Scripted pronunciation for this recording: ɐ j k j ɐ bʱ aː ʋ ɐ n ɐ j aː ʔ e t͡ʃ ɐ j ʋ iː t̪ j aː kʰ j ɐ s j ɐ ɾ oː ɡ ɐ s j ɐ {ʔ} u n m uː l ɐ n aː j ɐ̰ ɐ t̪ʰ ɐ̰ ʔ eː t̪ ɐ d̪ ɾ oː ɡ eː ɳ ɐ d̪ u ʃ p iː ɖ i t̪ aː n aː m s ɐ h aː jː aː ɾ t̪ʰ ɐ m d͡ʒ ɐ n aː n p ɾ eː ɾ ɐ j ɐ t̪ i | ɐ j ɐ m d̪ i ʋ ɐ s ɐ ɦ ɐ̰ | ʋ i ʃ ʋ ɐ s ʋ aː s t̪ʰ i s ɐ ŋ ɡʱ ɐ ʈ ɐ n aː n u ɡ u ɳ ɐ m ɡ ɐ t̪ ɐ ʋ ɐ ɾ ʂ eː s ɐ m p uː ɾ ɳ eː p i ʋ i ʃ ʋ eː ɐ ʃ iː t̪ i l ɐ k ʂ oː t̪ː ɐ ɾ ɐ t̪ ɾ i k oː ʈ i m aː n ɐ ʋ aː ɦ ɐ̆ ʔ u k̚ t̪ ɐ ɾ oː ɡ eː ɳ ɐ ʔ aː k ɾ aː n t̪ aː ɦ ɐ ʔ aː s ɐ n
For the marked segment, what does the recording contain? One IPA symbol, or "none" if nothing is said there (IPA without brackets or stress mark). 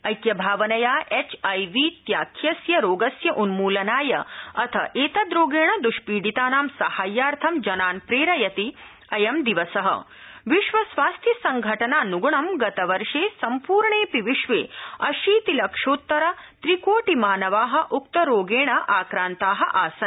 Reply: ʔ